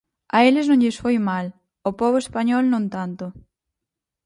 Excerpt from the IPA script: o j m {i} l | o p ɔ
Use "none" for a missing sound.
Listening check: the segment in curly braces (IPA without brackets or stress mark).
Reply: a